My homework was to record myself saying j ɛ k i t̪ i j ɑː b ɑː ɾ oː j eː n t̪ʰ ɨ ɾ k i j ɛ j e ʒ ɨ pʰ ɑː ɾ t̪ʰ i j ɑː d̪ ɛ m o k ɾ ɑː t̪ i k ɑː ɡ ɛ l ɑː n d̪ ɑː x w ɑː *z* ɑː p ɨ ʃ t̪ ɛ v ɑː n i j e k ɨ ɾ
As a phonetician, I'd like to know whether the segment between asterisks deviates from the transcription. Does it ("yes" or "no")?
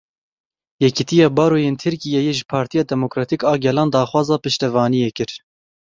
no